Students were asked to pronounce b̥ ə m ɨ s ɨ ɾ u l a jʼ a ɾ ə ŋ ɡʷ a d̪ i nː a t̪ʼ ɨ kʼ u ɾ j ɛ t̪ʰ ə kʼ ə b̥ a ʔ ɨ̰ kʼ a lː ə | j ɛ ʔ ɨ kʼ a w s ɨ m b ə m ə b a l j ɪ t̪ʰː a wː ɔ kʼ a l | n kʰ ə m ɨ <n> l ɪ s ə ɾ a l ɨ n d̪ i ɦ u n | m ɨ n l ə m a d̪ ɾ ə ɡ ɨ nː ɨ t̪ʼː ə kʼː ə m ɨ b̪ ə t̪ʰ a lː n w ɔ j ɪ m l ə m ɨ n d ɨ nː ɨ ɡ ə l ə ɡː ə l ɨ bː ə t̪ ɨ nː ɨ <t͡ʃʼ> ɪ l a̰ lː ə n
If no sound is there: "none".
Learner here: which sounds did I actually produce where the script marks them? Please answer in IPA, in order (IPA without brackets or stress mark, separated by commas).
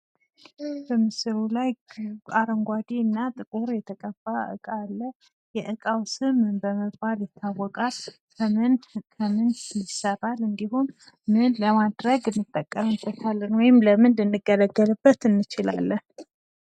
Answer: n, t͡ʃ